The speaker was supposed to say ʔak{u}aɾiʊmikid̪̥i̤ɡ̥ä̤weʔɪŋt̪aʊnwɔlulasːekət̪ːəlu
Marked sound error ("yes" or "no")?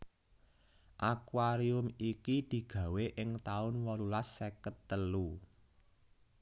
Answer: yes